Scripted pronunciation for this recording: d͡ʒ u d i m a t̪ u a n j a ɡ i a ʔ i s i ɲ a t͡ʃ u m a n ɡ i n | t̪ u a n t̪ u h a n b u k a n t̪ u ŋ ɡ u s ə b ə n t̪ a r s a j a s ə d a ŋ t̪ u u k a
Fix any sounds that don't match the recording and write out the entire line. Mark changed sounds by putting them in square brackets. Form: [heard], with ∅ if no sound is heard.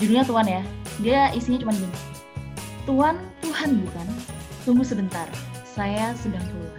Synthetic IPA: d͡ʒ u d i [ɲ] a t̪ u a n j a [d] i a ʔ i s i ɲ a t͡ʃ u m a n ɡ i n | t̪ u a n t̪ u h a n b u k a n t̪ u ŋ ɡ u s ə b ə n t̪ a r s a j a s ə d a ŋ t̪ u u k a